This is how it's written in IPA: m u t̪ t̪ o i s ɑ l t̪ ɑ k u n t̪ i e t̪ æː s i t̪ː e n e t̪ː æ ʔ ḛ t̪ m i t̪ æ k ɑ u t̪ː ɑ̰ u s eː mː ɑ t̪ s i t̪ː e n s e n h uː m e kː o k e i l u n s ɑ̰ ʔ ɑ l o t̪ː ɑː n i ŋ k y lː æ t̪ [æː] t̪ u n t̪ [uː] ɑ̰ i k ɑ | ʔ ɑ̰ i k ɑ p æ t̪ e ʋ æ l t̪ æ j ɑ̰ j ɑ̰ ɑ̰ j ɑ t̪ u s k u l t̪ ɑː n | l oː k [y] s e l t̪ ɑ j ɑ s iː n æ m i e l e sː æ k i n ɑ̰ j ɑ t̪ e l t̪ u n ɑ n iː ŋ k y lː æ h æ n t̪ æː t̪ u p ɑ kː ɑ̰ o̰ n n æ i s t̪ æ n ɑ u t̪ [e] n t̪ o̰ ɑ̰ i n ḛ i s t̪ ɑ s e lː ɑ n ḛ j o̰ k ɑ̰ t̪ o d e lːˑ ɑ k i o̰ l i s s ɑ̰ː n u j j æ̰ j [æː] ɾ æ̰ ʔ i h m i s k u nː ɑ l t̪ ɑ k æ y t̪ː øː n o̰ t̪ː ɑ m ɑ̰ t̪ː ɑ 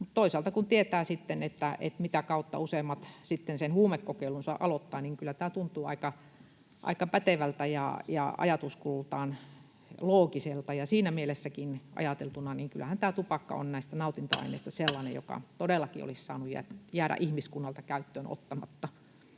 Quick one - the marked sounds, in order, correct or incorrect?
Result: correct, correct, incorrect, incorrect, correct

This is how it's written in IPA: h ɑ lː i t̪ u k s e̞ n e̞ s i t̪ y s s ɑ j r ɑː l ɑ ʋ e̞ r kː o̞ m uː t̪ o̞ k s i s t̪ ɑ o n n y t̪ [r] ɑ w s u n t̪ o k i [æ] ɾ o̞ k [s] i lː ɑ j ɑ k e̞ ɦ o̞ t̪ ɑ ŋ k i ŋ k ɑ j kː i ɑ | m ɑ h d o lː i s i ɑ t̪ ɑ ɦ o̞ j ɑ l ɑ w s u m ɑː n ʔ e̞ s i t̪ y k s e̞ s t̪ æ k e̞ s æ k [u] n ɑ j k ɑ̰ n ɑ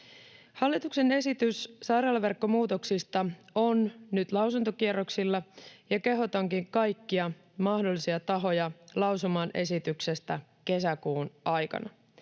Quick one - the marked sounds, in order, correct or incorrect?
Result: incorrect, incorrect, correct, incorrect

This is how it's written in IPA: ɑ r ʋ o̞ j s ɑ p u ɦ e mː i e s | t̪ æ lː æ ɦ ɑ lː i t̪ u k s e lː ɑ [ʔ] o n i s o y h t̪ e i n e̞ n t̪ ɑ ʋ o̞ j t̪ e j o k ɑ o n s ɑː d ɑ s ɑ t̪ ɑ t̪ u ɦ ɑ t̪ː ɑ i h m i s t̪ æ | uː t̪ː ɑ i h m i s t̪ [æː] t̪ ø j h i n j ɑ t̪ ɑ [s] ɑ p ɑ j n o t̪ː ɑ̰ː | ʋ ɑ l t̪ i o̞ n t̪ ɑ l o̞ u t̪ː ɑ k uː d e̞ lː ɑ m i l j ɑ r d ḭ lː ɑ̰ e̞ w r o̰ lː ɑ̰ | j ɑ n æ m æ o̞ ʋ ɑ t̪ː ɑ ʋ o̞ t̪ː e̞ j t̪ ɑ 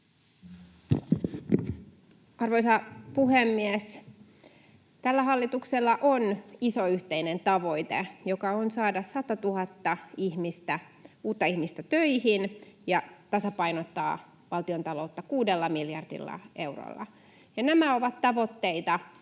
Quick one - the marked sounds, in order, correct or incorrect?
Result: correct, incorrect, correct

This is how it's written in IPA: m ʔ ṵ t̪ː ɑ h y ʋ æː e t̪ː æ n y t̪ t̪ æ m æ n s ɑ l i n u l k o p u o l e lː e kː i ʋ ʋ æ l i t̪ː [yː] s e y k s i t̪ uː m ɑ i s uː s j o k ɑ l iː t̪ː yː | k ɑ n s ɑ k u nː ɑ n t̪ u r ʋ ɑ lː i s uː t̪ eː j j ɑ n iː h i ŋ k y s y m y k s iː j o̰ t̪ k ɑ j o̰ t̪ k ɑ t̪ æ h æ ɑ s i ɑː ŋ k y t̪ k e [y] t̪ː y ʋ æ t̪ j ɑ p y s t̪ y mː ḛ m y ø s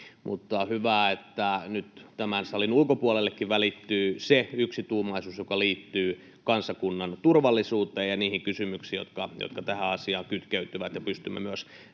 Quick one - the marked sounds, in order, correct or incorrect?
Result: correct, correct

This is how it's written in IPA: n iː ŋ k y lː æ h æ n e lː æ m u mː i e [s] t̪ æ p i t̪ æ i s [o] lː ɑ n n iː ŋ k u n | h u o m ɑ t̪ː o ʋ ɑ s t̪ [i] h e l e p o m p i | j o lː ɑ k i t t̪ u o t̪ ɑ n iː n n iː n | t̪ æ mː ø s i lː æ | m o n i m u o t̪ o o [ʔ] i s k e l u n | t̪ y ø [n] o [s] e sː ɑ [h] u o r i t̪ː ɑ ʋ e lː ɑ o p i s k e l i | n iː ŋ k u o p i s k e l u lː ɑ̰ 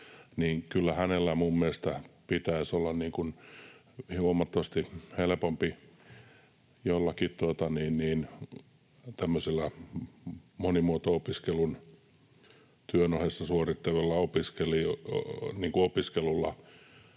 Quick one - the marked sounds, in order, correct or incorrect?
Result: correct, correct, correct, incorrect, correct, incorrect, incorrect

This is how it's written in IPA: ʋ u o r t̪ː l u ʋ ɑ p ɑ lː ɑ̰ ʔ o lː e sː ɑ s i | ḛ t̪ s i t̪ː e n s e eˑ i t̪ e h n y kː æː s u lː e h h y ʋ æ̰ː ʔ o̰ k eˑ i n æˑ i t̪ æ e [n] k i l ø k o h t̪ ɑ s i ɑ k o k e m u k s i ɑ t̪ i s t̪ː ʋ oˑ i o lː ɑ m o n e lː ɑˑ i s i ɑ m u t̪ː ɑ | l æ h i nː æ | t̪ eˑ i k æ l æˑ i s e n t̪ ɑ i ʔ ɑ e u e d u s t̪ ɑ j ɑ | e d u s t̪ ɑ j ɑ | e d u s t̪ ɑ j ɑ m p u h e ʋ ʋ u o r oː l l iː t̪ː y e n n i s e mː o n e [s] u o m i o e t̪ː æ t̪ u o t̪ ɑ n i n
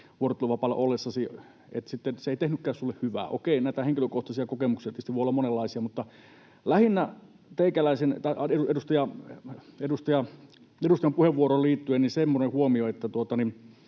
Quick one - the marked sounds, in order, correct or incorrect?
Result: incorrect, incorrect

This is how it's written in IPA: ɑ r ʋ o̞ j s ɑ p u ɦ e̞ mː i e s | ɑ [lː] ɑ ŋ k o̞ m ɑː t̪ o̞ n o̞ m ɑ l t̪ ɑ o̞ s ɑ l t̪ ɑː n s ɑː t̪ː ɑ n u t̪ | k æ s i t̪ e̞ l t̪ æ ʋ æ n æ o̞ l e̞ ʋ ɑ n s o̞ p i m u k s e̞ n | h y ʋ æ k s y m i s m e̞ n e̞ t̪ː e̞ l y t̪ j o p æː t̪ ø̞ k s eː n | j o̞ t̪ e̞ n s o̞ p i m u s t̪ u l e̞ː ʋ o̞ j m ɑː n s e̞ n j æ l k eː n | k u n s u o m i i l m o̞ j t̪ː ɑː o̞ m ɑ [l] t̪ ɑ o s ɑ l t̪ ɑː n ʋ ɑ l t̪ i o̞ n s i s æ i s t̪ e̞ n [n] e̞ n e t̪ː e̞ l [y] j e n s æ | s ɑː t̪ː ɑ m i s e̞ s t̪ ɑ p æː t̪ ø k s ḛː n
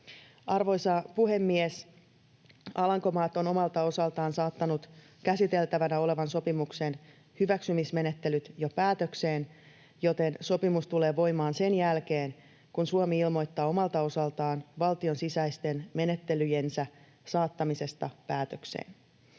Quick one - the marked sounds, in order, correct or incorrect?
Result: incorrect, correct, incorrect, correct

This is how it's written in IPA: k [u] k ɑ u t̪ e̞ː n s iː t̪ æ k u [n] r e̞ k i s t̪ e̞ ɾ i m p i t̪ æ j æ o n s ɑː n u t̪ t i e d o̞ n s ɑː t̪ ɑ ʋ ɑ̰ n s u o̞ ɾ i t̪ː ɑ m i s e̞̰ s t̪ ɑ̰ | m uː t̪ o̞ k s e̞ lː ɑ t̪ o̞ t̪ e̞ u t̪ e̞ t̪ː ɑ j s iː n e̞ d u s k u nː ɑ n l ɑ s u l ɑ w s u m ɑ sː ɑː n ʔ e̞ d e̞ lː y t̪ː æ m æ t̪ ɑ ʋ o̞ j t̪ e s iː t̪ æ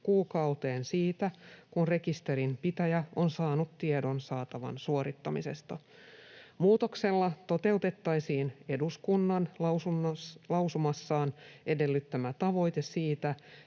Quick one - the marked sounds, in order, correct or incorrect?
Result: incorrect, correct

